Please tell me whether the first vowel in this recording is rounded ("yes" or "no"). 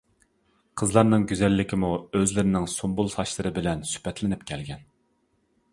no